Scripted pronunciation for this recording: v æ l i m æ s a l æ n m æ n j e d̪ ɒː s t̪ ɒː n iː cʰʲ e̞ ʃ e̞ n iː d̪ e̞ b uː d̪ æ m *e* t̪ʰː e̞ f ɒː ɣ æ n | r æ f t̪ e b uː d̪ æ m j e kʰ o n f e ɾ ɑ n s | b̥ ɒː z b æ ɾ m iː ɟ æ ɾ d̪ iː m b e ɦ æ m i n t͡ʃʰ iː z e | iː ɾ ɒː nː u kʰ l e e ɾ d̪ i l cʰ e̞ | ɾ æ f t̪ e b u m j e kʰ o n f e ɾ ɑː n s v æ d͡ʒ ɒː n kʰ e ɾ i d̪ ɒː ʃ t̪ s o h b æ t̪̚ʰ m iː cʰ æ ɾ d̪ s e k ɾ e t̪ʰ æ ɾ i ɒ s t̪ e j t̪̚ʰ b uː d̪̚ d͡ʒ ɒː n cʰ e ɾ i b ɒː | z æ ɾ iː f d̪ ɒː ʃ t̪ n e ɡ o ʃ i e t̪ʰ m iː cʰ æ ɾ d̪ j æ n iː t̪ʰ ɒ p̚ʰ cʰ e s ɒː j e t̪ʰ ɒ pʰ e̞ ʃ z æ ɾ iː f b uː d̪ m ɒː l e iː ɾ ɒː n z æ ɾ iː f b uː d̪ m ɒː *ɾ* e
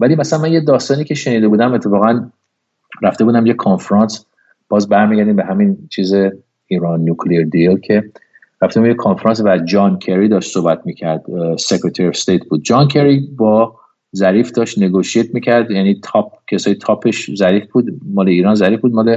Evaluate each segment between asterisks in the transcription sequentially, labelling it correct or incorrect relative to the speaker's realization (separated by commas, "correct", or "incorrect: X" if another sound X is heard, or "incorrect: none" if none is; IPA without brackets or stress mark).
correct, incorrect: l